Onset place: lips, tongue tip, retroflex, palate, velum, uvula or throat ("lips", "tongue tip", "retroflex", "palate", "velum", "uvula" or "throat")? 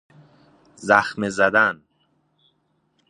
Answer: tongue tip